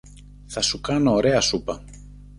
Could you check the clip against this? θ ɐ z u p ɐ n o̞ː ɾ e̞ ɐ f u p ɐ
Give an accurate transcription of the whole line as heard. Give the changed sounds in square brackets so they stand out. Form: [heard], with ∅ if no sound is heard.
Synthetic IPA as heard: θ ɐ [s] u [k] ɐ n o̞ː ɾ e̞ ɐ [s] u p ɐ